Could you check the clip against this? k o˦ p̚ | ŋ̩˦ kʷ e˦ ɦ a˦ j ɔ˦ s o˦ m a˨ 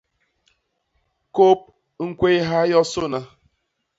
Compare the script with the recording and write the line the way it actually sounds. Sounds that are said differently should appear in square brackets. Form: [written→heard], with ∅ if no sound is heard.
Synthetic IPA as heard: k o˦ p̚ | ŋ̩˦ kʷ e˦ ɦ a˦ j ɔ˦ s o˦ [m→n] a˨